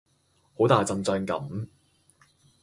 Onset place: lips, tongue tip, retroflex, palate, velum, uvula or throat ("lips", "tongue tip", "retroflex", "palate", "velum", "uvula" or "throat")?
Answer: throat